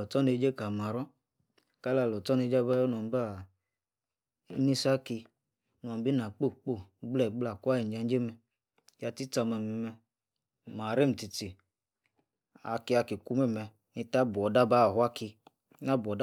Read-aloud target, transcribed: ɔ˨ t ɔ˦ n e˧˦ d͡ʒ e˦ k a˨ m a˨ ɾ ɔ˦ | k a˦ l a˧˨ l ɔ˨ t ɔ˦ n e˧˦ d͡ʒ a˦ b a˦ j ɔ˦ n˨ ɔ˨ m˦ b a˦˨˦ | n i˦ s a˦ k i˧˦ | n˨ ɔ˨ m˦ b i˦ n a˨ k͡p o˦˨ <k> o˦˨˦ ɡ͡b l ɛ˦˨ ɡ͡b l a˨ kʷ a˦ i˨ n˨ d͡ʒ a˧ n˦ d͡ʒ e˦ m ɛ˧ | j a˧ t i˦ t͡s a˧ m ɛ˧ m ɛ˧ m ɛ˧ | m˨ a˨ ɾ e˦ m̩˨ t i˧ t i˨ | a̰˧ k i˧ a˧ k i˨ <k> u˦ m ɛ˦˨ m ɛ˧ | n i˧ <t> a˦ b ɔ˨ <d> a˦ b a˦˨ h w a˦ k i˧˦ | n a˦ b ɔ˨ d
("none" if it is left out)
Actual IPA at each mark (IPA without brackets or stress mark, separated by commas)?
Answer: k͡p, k, t, d